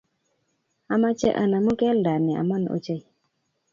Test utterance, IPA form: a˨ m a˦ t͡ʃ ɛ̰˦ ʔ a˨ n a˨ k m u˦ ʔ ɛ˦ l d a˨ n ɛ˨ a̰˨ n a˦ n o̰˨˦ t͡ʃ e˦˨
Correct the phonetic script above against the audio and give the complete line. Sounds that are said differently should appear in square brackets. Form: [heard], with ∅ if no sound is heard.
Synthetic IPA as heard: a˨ m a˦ t͡ʃ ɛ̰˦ ʔ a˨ n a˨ [∅] m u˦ [k] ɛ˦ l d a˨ n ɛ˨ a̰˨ [m] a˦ n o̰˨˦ t͡ʃ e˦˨